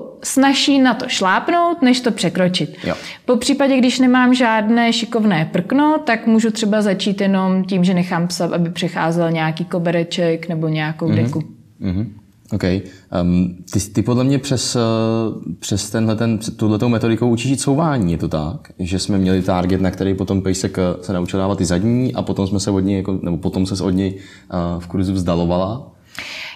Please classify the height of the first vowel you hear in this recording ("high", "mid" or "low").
low